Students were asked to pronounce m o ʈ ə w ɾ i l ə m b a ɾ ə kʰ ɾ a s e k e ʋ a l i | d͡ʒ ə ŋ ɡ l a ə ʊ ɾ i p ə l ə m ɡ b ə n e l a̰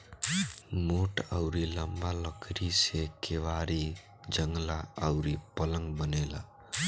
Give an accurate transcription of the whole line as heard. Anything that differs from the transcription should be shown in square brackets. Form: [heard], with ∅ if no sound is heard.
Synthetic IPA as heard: m o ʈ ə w ɾ i l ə m b a [l] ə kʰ ɾ [i] s e k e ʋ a [ɾ] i | d͡ʒ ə ŋ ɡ l a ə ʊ ɾ i p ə l ə [ŋ] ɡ b ə n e l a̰